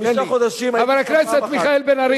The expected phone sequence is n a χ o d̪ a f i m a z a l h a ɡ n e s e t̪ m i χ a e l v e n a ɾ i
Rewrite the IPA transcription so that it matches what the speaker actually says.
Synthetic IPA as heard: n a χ o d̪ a ʃ i m a v a l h a k n e s e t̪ m i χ a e l b e n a ɾ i